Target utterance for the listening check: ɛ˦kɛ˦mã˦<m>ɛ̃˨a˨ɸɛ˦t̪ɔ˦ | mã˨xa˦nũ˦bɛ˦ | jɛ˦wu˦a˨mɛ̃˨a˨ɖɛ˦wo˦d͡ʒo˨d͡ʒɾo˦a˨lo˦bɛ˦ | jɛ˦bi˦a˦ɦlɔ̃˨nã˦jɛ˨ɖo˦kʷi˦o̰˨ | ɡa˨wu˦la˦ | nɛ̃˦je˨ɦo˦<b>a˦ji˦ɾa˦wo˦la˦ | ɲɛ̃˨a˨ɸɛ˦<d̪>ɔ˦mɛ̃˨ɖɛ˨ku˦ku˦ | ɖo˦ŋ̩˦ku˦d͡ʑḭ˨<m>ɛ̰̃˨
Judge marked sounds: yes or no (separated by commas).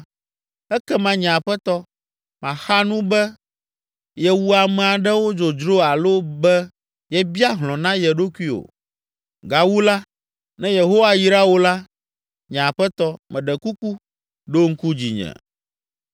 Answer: no, no, no, no